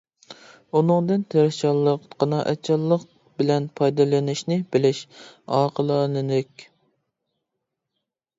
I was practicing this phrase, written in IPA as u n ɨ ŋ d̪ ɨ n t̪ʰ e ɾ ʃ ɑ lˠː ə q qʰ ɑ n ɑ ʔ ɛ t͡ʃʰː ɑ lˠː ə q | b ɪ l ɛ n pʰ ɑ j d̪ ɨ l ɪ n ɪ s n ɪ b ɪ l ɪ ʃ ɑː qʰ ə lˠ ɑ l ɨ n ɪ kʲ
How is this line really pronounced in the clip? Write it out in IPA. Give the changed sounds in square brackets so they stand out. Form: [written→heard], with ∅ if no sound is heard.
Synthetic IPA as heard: u n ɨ ŋ d̪ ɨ n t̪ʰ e ɾ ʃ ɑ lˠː ə q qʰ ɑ n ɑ ʔ ɛ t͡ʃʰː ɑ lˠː ə q | b ɪ l ɛ n pʰ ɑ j d̪ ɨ l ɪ n ɪ [s→ʃ] n ɪ b ɪ l ɪ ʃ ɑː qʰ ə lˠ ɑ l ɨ n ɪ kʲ